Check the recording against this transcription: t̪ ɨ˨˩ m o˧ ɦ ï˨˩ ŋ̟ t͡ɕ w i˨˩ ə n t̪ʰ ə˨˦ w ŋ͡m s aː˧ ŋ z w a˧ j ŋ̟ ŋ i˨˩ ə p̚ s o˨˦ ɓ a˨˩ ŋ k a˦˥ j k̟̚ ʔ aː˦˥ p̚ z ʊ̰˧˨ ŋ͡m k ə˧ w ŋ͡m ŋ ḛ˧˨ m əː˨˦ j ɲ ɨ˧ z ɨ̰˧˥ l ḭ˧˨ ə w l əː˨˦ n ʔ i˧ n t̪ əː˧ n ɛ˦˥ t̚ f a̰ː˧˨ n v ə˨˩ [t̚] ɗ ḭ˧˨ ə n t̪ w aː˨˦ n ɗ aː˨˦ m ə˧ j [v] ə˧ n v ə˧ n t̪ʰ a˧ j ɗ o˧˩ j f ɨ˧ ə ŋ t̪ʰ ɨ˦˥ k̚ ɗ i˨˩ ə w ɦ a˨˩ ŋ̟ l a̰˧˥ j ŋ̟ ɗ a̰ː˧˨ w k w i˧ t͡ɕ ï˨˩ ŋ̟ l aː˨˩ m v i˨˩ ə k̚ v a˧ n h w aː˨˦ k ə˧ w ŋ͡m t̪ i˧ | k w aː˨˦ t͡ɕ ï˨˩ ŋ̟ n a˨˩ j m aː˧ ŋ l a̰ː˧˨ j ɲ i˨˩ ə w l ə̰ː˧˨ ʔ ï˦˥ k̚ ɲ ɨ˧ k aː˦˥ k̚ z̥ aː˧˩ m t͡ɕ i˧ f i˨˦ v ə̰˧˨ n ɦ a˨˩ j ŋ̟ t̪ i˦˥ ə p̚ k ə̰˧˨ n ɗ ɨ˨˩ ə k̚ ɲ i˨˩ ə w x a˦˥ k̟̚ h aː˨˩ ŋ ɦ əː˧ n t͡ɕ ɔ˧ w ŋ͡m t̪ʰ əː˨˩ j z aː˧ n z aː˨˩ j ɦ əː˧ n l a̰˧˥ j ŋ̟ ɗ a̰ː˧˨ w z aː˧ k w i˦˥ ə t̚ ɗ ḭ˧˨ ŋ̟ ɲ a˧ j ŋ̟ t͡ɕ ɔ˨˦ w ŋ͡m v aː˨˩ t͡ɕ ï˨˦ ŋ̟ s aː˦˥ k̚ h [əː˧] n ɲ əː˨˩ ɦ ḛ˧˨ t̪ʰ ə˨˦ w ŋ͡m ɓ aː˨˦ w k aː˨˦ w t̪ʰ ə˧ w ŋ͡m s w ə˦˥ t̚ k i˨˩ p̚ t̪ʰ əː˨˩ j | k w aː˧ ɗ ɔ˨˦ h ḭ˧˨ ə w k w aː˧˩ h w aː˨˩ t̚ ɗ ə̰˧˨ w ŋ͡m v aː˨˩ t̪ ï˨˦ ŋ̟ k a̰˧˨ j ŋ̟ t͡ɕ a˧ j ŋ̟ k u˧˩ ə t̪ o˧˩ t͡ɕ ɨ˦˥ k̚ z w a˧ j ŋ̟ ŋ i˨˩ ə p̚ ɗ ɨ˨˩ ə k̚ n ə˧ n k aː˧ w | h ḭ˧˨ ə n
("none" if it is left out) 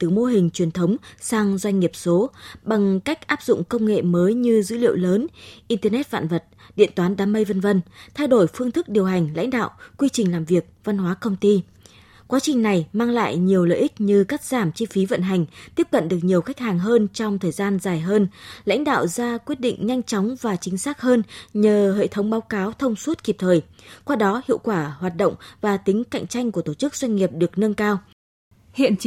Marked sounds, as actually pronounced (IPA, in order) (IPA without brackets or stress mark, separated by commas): t̚, v, əː˧